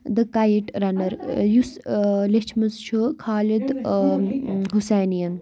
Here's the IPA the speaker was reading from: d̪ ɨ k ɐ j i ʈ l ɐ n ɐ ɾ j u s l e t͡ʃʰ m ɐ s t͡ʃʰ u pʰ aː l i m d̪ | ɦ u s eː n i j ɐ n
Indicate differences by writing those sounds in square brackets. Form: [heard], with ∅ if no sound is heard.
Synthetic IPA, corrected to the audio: d̪ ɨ k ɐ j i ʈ [ɾ] ɐ n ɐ ɾ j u s l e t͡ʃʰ m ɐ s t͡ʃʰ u [kʰ] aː l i [∅] d̪ | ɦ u s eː n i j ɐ n